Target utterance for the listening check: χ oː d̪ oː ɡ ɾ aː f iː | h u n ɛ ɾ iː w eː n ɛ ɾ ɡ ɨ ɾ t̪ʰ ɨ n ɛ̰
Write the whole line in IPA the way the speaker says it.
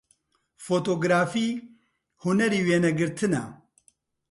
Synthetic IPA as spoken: f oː t̪ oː ɡ ɾ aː f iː | h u n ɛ ɾ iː w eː n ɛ ɡ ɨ ɾ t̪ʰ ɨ n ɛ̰